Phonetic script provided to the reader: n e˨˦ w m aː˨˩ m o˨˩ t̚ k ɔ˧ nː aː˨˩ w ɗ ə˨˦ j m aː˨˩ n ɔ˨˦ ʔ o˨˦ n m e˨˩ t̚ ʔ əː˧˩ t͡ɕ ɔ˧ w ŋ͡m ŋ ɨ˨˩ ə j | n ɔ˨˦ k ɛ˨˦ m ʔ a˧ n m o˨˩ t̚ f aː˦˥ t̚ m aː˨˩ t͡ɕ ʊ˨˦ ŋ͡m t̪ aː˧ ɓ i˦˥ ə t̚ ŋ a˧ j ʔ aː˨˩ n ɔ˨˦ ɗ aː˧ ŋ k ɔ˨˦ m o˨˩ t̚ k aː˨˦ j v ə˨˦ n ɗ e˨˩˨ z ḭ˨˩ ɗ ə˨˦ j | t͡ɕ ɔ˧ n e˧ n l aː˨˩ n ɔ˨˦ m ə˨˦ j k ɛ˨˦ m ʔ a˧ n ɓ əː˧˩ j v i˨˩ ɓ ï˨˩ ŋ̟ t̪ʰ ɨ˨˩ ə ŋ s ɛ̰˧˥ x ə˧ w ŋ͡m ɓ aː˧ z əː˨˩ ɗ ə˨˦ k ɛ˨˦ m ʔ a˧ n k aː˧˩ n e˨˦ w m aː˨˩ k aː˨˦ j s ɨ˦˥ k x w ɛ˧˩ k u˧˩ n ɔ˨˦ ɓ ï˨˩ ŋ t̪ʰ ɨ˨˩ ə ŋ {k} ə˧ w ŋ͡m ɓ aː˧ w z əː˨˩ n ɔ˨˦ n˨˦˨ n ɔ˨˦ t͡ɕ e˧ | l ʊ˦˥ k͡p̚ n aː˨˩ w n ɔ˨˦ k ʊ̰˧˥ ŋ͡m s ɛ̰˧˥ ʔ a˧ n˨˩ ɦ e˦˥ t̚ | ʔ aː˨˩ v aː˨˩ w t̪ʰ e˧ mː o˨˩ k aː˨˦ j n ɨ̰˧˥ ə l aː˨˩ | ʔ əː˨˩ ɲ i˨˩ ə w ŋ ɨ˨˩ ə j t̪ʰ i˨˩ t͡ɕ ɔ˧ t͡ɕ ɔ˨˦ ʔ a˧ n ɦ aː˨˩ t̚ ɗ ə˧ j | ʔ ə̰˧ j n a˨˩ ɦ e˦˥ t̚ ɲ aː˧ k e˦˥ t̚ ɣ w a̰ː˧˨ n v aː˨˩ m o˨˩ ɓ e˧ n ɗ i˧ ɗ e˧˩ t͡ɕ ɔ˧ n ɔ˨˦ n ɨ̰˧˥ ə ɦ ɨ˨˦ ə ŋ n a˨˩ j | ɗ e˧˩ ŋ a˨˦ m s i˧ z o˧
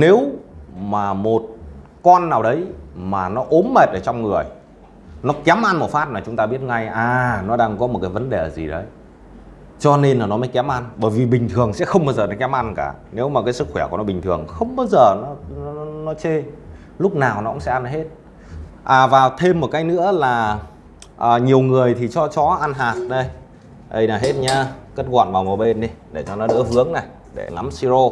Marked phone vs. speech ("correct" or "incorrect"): incorrect